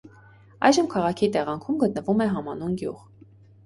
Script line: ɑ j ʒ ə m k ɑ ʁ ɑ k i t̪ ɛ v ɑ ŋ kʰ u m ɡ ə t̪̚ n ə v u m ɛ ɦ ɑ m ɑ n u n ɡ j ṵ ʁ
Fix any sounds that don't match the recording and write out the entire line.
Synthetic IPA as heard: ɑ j ʒ ə m kʰ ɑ ʁ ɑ kʰ i t̪ ɛ ʁ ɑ ŋ kʰ u m ɡ ə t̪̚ n ə v u m ɛ ɦ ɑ m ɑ n u n ɡ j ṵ ʁ

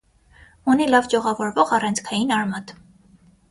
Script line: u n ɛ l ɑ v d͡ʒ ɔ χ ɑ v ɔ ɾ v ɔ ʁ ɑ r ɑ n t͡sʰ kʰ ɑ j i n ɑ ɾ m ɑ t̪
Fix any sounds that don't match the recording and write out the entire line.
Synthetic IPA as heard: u n i l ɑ v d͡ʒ ɔ ʁ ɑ v ɔ ɾ v ɔ ʁ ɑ r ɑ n t͡sʰ kʰ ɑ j i n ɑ ɾ m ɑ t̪

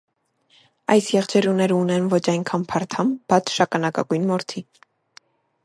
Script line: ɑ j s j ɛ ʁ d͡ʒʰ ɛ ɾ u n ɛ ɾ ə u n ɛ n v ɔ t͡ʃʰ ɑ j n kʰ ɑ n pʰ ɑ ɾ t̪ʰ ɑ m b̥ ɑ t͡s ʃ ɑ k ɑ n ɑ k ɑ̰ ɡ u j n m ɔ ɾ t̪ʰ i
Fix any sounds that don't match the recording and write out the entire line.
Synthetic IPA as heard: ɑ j s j ɛ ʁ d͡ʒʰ ɛ ɾ u n ɛ ɾ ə u n ɛ n v ɔ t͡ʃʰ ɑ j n kʰ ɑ n pʰ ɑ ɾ t̪ʰ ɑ m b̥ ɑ t͡sʰ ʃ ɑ k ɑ n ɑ k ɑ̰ ɡ u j n m ɔ ɾ t̪ʰ i

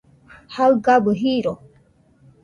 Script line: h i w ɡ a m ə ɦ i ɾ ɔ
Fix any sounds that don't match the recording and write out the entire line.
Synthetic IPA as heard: h a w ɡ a b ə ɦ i ɾ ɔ

